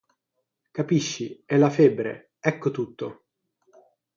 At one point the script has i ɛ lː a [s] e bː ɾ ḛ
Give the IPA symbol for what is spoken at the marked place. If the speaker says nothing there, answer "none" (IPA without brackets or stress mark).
f